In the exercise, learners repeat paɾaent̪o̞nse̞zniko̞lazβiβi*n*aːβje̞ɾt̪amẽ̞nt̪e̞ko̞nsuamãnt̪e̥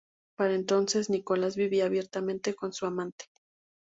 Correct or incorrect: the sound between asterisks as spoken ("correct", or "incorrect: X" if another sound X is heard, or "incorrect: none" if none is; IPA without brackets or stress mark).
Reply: incorrect: none